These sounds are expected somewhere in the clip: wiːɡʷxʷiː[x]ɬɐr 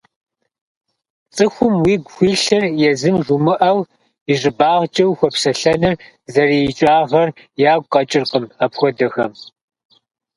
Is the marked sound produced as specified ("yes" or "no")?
no